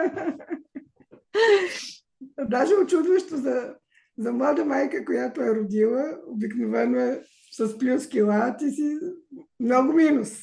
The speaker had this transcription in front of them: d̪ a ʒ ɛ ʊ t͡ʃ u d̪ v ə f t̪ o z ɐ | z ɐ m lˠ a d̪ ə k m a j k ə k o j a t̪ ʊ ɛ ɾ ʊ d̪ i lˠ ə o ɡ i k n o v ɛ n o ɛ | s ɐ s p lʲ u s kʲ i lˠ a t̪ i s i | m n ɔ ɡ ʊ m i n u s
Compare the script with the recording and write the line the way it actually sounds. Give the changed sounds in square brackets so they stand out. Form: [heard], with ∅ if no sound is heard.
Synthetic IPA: d̪ a ʒ ɛ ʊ t͡ʃ u d̪ v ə [ʃ] t̪ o z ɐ | z ɐ m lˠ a d̪ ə [∅] m a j k ə k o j a t̪ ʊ ɛ ɾ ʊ d̪ i lˠ ə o [b] i k n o v ɛ n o ɛ | s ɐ s p lʲ u s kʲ i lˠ a t̪ i s i | m n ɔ ɡ ʊ m i n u s